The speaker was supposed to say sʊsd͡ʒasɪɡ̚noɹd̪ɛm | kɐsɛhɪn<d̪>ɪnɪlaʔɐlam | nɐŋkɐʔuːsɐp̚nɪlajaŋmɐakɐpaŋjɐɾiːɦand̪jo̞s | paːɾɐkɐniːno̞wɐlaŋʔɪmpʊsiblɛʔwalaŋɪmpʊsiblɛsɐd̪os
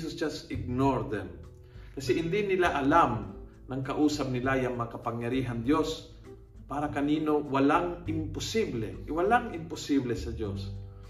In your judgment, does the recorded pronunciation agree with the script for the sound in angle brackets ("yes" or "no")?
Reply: yes